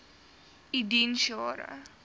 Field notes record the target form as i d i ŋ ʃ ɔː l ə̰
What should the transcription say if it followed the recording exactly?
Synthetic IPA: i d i n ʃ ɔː ɾ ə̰